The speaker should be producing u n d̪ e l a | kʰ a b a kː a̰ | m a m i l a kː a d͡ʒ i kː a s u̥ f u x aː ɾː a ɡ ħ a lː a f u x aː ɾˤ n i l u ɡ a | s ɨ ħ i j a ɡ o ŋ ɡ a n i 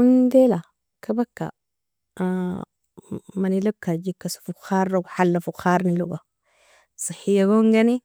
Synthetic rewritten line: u n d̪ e l a | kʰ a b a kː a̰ | m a n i l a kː a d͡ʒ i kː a s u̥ f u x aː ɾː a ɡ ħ a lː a f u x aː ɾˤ n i l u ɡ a | s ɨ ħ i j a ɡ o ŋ ɡ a n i